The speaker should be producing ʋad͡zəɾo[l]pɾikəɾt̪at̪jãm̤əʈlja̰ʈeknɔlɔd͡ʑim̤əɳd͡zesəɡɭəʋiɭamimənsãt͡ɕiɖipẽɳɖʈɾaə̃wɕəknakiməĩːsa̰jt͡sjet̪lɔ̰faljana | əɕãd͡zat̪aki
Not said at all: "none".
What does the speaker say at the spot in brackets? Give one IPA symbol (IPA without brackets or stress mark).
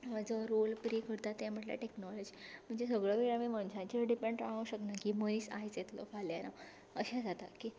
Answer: l